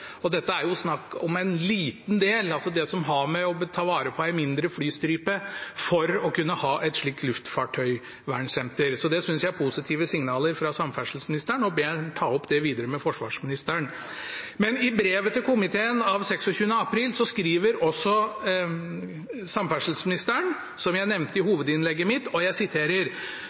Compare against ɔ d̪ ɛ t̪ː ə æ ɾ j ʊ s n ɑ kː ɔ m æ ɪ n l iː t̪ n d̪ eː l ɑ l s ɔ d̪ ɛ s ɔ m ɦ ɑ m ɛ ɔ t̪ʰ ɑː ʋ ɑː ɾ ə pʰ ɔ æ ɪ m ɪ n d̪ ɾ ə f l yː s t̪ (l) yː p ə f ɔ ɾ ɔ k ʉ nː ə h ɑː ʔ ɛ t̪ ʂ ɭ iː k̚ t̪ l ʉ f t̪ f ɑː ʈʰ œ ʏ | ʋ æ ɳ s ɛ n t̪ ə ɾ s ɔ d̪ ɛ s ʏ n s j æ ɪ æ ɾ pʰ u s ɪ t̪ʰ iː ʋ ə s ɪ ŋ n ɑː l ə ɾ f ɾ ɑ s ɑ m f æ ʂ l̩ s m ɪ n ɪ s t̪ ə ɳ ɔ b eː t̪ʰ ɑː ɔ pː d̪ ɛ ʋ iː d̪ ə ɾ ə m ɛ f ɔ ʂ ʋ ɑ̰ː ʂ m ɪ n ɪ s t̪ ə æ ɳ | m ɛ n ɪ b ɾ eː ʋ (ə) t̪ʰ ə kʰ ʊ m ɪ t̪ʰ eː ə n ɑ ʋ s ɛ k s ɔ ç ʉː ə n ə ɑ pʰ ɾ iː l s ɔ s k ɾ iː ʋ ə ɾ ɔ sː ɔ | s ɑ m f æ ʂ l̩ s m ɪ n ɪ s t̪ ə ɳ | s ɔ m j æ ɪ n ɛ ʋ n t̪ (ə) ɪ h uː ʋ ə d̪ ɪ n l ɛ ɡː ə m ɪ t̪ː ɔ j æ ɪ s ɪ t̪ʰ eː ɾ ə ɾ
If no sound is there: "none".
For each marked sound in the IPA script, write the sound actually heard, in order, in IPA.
ɾ, ə, ə

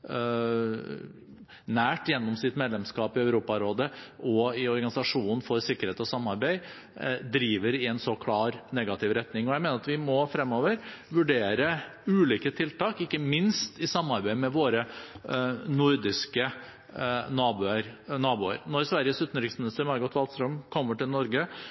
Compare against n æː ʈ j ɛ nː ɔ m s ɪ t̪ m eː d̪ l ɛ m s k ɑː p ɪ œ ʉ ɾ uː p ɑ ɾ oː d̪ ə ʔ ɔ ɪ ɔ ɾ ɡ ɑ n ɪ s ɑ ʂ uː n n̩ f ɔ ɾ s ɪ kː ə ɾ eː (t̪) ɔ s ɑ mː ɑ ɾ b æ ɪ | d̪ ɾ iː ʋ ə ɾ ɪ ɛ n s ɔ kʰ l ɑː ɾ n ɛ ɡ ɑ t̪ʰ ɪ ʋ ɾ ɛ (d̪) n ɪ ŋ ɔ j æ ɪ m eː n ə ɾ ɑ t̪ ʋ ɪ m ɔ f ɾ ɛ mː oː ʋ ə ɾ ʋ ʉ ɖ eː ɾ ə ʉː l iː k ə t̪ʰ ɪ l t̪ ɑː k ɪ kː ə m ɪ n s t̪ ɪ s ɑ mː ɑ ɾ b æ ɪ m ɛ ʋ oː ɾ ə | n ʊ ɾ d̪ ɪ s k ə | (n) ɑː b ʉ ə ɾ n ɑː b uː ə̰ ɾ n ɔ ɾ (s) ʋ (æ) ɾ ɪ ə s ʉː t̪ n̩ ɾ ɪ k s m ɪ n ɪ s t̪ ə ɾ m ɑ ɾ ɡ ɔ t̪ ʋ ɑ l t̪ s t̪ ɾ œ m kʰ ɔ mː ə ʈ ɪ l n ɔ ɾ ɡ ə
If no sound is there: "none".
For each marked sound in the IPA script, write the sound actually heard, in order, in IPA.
t̪, t̪, n, s, æ

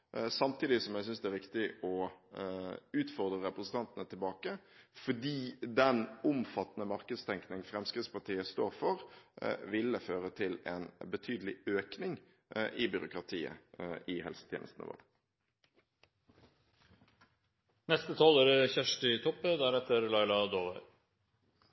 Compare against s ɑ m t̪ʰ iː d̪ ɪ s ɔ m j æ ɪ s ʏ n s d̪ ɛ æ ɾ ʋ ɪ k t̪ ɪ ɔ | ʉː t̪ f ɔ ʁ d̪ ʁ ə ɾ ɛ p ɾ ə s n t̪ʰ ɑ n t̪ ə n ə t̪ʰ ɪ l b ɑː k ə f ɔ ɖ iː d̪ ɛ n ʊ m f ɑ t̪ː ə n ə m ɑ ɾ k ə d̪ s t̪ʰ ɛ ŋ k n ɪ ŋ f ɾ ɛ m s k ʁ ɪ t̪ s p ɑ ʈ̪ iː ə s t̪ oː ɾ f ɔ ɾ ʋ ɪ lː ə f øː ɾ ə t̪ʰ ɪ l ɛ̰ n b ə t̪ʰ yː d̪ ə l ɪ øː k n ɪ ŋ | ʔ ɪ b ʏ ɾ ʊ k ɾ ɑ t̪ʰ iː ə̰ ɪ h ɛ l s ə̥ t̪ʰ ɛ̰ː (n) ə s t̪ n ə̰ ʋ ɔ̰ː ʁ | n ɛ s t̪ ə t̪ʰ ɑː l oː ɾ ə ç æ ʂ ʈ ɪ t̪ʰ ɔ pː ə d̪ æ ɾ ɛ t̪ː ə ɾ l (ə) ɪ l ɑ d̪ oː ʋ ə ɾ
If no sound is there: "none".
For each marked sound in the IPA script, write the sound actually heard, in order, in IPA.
n, ɑ

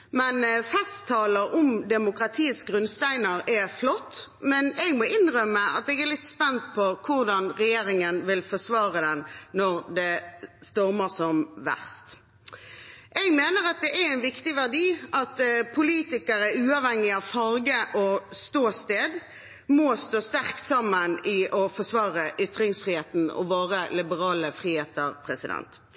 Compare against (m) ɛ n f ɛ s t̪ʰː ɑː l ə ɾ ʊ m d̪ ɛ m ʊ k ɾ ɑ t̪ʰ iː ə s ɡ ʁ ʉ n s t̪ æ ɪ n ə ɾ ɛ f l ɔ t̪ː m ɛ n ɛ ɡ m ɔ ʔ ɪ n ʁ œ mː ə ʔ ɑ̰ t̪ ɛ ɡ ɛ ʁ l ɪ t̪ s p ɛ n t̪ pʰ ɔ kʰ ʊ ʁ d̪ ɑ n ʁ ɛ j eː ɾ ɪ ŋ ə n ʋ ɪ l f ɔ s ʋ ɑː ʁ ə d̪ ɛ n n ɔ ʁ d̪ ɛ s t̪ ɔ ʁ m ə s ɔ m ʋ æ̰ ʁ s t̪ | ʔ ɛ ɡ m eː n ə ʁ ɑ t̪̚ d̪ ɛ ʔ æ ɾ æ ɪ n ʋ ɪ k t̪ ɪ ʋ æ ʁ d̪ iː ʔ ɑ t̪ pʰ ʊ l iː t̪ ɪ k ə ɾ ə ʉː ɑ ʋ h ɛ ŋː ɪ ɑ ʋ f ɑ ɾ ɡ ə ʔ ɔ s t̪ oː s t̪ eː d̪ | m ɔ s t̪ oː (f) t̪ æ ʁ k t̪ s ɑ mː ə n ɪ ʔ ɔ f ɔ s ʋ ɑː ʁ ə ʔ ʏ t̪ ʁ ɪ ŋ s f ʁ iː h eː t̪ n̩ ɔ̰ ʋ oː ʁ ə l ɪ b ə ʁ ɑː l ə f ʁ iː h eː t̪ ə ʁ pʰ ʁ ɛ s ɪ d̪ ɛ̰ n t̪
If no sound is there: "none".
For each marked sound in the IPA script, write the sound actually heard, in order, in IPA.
m, s

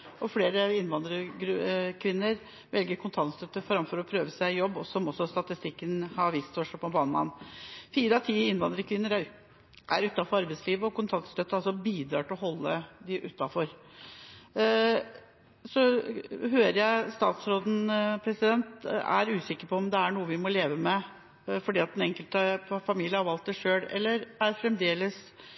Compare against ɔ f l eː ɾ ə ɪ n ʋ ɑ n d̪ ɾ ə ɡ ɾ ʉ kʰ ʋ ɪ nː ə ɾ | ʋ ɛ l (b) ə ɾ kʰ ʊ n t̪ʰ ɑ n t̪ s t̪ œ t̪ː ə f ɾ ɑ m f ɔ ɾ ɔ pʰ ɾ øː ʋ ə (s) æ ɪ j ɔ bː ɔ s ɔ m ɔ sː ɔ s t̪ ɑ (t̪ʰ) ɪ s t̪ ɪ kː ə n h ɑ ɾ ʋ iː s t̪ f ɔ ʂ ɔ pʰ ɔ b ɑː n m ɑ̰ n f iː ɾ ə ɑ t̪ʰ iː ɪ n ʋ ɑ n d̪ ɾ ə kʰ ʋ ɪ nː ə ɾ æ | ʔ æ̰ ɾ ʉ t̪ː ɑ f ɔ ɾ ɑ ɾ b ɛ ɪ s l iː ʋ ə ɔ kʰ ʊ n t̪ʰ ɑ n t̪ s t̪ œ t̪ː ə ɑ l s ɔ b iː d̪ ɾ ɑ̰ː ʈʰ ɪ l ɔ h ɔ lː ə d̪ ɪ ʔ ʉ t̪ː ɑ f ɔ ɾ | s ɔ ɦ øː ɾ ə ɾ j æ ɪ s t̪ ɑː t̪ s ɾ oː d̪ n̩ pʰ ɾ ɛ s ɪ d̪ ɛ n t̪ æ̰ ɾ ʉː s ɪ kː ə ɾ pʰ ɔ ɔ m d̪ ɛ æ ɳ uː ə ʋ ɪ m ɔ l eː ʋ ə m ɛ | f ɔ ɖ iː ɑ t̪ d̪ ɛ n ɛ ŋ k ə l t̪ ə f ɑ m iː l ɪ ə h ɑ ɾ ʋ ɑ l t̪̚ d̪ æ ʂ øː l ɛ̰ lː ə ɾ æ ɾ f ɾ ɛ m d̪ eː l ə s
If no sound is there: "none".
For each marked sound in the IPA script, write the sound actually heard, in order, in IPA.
ɡ, s, t̪

